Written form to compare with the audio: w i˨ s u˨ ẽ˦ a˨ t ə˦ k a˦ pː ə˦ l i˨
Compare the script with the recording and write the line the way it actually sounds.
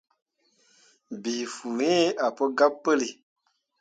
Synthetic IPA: b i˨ f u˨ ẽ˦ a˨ p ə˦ ɡ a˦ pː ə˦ l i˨